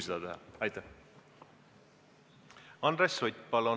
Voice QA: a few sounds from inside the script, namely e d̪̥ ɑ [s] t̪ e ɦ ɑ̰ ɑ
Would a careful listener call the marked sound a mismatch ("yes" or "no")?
yes